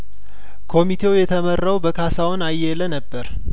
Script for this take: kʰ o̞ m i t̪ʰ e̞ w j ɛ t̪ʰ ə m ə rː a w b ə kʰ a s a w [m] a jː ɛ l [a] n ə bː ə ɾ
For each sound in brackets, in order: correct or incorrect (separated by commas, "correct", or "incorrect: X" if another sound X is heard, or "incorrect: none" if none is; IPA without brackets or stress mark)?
incorrect: n, incorrect: ə